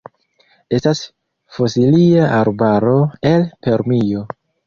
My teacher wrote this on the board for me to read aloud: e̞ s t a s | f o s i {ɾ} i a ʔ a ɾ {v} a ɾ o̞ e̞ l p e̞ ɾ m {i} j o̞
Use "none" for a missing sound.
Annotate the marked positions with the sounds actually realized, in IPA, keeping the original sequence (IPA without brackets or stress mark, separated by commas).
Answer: l, b, i